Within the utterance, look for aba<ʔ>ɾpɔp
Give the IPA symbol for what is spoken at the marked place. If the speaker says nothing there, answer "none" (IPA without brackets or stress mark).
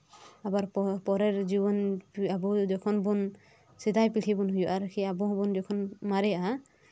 none